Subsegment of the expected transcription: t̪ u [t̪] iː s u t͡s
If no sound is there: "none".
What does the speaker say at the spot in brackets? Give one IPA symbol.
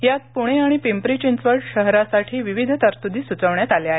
d̪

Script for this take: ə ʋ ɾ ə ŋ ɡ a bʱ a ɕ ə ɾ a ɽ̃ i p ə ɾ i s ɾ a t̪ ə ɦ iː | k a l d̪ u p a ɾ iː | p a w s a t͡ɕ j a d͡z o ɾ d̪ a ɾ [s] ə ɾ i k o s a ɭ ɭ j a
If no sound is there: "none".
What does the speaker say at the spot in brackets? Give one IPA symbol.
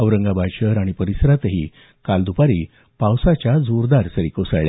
s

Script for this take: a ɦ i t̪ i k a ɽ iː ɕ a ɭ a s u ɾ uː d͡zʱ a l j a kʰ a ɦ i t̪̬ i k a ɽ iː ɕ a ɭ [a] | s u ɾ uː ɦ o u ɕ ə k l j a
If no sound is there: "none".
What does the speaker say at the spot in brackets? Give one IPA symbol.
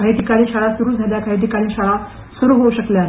a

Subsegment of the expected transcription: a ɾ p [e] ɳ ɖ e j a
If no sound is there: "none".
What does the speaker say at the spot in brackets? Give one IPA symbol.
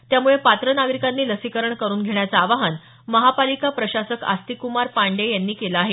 a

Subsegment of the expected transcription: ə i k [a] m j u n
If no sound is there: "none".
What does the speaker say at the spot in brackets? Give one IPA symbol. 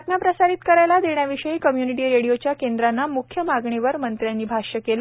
ə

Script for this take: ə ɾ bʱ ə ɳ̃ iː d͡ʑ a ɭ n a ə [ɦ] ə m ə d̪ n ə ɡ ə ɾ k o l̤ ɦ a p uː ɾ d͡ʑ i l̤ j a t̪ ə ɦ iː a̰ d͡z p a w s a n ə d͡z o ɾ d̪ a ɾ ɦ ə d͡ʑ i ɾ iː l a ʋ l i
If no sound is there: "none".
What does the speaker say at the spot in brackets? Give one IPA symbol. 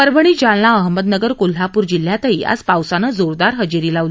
ɦ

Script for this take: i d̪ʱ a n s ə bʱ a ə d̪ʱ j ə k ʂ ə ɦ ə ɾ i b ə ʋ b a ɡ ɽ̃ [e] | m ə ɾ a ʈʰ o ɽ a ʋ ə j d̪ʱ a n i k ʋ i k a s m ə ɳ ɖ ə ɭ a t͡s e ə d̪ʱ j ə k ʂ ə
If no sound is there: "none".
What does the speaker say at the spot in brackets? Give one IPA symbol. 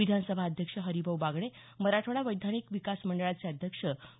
e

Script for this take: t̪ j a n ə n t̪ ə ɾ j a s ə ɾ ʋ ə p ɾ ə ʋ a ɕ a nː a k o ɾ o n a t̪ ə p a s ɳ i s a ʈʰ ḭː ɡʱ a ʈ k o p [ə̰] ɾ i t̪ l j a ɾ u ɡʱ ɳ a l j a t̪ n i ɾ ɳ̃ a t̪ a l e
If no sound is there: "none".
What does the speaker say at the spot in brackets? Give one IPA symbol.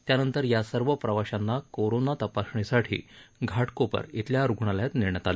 ə̰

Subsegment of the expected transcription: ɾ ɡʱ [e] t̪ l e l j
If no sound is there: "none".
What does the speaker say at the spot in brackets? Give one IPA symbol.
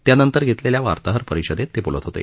e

